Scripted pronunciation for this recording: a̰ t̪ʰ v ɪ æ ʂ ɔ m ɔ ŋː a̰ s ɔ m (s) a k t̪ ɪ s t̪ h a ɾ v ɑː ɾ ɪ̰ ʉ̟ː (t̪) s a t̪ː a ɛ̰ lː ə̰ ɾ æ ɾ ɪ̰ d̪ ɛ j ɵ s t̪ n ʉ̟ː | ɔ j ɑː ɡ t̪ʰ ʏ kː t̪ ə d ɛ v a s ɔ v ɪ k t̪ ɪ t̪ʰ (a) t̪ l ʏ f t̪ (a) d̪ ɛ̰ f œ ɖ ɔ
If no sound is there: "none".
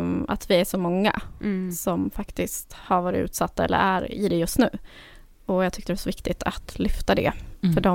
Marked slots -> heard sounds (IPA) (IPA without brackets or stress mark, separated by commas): f, t̪, a, a